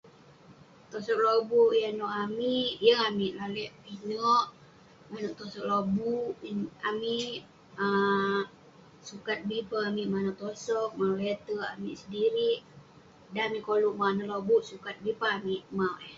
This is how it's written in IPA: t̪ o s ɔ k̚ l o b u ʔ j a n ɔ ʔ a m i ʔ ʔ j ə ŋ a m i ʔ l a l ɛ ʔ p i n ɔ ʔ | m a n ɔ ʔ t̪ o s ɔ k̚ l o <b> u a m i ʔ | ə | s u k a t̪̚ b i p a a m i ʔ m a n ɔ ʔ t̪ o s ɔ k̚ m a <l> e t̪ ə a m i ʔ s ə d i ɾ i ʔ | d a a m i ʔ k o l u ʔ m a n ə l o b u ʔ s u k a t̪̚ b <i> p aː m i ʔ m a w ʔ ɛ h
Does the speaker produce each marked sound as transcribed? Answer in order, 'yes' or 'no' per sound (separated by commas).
yes, yes, yes